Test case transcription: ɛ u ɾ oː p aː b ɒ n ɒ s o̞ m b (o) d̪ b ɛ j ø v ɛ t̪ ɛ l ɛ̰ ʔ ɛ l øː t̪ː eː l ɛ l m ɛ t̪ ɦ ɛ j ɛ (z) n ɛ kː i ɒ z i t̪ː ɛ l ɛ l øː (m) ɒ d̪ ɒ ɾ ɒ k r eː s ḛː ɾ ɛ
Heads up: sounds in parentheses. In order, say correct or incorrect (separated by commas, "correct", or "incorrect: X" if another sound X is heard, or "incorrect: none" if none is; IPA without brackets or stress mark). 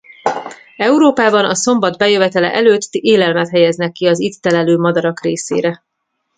incorrect: ɒ, correct, correct